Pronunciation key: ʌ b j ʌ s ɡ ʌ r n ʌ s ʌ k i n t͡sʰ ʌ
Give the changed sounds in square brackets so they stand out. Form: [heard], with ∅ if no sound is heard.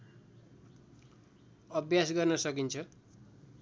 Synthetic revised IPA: ʌ b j [a] s ɡ ʌ r n ʌ s ʌ k i n t͡sʰ ʌ